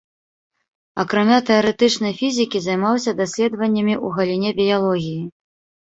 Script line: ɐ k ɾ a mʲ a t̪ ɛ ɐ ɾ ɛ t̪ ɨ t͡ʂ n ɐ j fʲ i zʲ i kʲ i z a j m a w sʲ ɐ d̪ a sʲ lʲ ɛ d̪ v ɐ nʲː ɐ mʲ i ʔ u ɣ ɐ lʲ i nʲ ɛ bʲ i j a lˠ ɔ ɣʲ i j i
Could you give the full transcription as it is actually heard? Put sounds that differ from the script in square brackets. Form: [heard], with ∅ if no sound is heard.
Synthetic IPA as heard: ɐ k ɾ a mʲ a t̪ ɛ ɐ ɾ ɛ t̪ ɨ t͡ʂ n ɐ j fʲ i zʲ i kʲ i z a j m a w sʲ ɐ d̪ a sʲ lʲ ɛ d̪ v ɐ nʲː ɐ mʲ i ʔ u ɣ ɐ lʲ i nʲ ɛ bʲ i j a lˠ ɔ ɣʲ i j i